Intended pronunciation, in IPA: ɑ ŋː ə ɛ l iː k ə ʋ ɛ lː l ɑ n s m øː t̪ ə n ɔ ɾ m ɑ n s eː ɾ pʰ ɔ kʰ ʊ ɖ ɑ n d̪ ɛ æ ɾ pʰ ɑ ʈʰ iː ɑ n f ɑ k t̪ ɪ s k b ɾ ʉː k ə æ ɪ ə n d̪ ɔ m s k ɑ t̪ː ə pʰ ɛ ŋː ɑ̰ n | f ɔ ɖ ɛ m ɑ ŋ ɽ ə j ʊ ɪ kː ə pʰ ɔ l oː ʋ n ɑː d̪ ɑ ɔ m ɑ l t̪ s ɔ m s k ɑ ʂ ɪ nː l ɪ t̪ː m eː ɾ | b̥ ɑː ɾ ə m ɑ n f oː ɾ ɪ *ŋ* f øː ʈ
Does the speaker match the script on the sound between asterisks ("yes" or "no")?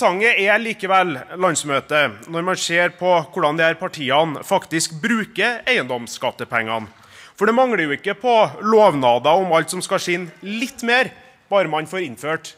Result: no